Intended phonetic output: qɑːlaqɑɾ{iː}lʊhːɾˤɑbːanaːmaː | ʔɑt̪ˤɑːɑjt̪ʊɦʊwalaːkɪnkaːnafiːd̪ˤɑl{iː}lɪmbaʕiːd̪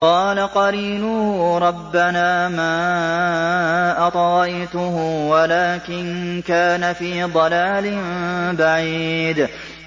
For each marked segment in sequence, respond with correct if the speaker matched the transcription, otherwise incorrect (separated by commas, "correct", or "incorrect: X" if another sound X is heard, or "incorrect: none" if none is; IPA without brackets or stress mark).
correct, incorrect: aː